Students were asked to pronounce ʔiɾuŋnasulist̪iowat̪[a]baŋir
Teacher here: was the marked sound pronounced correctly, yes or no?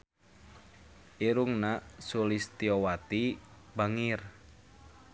no